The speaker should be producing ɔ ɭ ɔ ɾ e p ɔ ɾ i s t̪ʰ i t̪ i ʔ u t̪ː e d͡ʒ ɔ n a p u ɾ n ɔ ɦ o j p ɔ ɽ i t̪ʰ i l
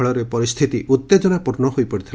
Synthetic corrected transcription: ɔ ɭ ɔ ɾ e p ɔ ɾ i s t̪ʰ i t̪ i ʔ u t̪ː e d͡ʒ ɔ n a p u ɾ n ɔ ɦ o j p ɔ ɽ i t̪ʰ i l